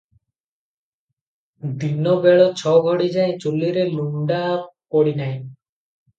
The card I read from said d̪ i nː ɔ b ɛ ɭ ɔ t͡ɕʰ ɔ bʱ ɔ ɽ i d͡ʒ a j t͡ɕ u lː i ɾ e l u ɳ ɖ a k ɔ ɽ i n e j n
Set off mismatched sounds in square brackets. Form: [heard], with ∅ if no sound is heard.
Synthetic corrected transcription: d̪ i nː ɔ b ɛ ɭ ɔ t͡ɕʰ ɔ [ɡʱ] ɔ ɽ i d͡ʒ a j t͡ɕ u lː i ɾ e l u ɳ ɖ a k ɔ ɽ i n [a] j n